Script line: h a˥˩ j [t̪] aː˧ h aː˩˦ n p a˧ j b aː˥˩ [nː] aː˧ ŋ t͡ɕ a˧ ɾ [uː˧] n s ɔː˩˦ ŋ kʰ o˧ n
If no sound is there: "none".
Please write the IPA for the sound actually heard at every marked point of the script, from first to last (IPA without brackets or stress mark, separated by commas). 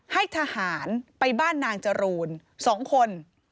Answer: t̪ʰ, nː, uː˧